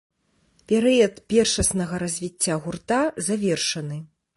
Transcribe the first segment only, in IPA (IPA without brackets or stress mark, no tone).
pʲ